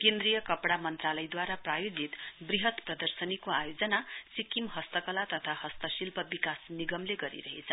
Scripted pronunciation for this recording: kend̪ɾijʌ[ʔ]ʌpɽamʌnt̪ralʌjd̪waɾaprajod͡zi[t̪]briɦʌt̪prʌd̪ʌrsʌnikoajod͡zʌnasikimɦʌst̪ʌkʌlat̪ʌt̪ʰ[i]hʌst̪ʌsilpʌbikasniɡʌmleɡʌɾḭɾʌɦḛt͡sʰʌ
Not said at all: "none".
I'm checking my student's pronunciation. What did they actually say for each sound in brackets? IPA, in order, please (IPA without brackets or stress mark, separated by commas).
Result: k, t̪, a